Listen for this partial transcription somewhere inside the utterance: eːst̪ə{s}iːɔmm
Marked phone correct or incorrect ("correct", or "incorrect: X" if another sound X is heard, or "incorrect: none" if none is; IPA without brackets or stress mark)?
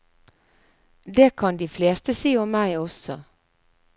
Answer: correct